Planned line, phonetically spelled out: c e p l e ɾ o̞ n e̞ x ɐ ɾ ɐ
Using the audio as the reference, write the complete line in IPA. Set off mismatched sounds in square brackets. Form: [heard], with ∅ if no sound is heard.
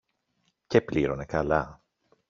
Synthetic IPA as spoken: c e p l [i] ɾ o̞ n e̞ [k] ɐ [l] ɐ